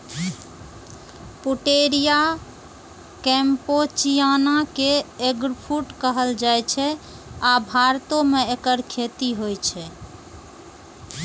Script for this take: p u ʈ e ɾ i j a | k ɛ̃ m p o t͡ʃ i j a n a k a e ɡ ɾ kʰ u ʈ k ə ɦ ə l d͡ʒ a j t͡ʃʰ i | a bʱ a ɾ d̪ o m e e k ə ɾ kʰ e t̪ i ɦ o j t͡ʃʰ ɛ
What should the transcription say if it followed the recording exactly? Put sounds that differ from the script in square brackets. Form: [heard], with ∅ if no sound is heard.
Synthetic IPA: p u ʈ e ɾ i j a | k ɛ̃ m p o t͡ʃ i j a n a k [e] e ɡ ɾ [pʰ] u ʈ k ə ɦ ə l d͡ʒ a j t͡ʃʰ [ɛ] | a bʱ a ɾ [t̪] o m e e k ə ɾ kʰ e t̪ i ɦ o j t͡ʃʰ ɛ